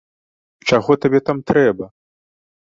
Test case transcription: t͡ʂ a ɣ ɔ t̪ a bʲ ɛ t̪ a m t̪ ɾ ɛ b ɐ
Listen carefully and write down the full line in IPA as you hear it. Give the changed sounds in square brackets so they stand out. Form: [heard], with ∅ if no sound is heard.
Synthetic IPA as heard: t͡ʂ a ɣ ɔ t̪ a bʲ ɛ t̪ a m t̪ ɾ ɛ b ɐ

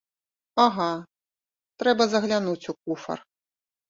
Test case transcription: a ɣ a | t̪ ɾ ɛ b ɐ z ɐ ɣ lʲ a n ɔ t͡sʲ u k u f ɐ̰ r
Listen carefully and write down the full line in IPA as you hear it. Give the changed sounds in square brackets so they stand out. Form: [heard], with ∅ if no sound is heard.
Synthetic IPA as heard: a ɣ a | t̪ ɾ ɛ b ɐ z ɐ ɣ lʲ a n [u] t͡sʲ u k u f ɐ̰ r

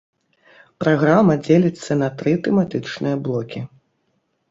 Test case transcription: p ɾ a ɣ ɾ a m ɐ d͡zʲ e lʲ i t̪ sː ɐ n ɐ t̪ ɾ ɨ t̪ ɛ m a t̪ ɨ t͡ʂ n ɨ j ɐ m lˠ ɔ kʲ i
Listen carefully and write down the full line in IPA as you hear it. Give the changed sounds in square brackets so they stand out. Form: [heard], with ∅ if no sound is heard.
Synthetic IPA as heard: p ɾ a ɣ ɾ a m ɐ d͡zʲ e lʲ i t̪ sː ɐ n ɐ t̪ ɾ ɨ t̪ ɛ m a t̪ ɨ t͡ʂ n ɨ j ɐ [b] lˠ ɔ kʲ i

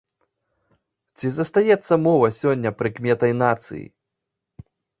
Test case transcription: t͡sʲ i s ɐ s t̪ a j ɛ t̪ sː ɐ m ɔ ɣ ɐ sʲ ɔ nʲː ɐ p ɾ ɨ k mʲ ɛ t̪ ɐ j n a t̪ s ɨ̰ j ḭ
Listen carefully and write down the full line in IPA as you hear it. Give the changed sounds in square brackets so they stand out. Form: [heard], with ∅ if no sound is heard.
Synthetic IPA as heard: t͡sʲ i [z] ɐ s t̪ a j ɛ t̪ sː ɐ m ɔ [v] ɐ sʲ ɔ nʲː ɐ p ɾ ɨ k mʲ ɛ t̪ ɐ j n a t̪ s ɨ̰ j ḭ

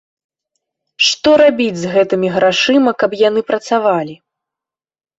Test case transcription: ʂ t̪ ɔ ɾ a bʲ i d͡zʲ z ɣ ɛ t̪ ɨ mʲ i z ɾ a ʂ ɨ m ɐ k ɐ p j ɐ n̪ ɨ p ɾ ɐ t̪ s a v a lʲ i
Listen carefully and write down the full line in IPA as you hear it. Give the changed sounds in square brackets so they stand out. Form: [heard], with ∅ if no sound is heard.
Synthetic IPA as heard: ʂ t̪ ɔ ɾ a bʲ i d͡zʲ z ɣ ɛ t̪ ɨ mʲ i [ɣ] ɾ a ʂ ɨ m ɐ k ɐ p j [a] n̪ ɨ p ɾ ɐ t̪ s a v a lʲ i

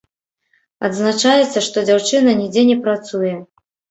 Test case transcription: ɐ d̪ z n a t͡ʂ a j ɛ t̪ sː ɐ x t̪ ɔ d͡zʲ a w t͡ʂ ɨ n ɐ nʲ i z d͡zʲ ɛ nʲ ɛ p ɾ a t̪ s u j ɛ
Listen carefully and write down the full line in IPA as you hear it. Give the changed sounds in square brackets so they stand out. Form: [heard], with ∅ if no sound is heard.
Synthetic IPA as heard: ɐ d̪ z n a t͡ʂ a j ɛ t̪ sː ɐ [ʂ] t̪ ɔ d͡zʲ a w t͡ʂ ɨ n ɐ nʲ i [∅] d͡zʲ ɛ nʲ ɛ p ɾ a t̪ s u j ɛ

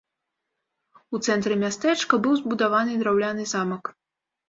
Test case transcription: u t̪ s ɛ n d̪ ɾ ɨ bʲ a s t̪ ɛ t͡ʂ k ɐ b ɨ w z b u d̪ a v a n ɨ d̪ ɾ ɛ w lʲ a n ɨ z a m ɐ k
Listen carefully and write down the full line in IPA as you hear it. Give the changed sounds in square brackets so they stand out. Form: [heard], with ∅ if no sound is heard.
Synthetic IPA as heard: u t̪ s ɛ n [t̪] ɾ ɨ [mʲ] a s t̪ ɛ t͡ʂ k ɐ b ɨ w z b u d̪ a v a n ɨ d̪ ɾ [a] w lʲ a n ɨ z a m ɐ k

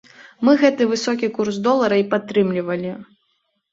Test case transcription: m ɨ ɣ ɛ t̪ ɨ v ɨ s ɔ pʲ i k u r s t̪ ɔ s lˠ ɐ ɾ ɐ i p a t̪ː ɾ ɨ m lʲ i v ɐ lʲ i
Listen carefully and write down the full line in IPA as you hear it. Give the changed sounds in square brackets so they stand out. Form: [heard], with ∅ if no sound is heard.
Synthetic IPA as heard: m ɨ ɣ ɛ t̪ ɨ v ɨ s ɔ [kʲ] i k u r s [d̪] ɔ [∅] lˠ ɐ ɾ ɐ i p a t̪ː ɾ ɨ m lʲ i v ɐ lʲ i

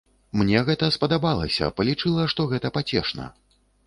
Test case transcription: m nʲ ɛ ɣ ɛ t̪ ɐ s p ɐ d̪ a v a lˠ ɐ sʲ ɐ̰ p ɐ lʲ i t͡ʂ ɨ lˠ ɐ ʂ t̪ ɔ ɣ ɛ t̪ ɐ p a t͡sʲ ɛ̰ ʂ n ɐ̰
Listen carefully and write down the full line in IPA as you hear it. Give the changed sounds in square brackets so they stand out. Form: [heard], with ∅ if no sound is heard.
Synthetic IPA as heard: m nʲ ɛ ɣ ɛ t̪ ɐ s p ɐ d̪ a [b] a lˠ ɐ sʲ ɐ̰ p ɐ lʲ i t͡ʂ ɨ lˠ ɐ ʂ t̪ ɔ ɣ ɛ t̪ ɐ p a t͡sʲ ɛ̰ ʂ n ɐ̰

